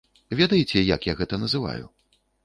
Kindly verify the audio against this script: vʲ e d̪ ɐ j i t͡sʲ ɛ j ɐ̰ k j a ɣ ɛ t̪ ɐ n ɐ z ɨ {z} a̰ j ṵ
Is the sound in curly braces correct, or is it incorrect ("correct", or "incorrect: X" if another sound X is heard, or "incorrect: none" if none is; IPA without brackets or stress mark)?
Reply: incorrect: v